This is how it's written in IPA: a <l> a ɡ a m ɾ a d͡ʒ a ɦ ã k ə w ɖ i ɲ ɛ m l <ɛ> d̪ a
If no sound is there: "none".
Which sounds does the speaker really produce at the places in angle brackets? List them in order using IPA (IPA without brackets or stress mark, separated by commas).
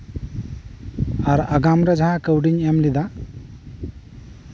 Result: ɾ, i